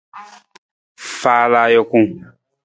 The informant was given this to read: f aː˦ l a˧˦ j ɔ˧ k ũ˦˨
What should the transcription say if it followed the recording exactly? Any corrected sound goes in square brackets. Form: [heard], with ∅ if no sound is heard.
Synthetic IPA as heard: f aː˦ l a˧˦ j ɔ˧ k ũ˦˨